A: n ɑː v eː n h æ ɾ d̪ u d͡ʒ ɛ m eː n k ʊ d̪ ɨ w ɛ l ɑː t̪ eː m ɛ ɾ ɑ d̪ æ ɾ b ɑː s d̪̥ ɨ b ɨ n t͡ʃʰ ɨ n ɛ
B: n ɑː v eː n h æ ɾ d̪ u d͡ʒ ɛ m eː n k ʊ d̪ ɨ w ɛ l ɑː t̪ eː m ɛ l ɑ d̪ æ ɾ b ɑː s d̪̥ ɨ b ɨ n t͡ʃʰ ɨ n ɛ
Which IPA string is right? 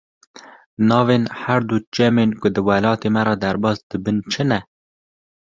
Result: A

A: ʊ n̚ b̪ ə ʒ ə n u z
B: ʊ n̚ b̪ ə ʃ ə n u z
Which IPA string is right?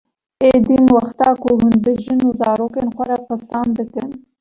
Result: A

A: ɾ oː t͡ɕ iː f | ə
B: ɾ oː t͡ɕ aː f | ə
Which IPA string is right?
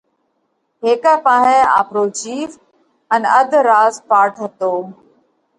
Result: A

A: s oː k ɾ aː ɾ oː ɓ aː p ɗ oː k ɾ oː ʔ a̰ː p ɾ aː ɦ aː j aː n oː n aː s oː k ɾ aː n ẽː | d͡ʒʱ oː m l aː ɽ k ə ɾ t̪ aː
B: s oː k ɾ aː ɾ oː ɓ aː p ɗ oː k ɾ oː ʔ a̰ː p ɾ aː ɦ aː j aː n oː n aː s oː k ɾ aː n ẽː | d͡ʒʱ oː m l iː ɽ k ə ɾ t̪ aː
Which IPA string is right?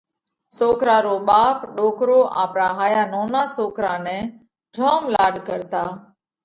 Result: A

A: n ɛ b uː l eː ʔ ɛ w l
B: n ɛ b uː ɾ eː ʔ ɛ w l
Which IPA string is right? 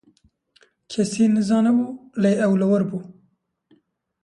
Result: A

